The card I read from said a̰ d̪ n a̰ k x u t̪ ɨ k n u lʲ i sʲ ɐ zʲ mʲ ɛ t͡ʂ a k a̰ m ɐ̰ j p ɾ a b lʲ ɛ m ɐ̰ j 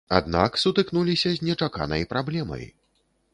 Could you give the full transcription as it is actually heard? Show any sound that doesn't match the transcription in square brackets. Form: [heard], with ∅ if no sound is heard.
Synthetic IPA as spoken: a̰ d̪ n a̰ k [s] u t̪ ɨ k n u lʲ i sʲ ɐ zʲ [nʲ] ɛ t͡ʂ a k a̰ [n] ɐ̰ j p ɾ a b lʲ ɛ m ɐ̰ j